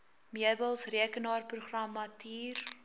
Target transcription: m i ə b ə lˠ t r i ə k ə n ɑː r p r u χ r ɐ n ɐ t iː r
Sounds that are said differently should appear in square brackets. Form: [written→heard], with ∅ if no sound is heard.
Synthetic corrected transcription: m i ə b ə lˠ [t→s] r i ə k ə n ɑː r p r u χ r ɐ [n→m] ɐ t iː r

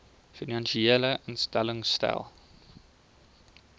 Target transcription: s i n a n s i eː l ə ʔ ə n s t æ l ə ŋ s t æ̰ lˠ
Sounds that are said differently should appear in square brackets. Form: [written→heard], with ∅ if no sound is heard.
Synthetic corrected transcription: [s→f] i n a n [s→ʃ] i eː l ə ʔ ə n s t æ l ə ŋ s t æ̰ lˠ

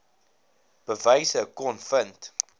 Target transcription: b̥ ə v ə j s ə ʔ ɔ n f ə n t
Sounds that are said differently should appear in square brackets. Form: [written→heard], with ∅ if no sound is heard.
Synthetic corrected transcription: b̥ ə v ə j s ə [ʔ→k] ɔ n f ə n t

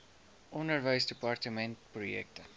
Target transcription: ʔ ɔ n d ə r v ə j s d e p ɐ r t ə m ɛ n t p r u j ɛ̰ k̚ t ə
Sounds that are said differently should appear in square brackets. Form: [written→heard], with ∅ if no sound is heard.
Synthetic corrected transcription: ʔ ɔ n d ə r v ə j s d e p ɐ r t ə m ɛ n t p r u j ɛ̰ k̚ t ə

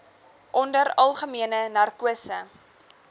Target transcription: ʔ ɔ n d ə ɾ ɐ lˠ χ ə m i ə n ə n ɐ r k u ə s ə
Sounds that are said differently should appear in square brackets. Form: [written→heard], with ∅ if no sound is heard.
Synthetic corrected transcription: ʔ ɔ n d ə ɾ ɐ lˠ χ ə m i ə n ə n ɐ r k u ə s ə

